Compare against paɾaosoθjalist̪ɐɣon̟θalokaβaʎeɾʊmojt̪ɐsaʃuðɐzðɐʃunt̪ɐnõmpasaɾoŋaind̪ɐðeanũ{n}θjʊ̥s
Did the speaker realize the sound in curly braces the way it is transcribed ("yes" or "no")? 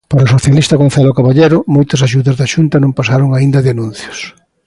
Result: yes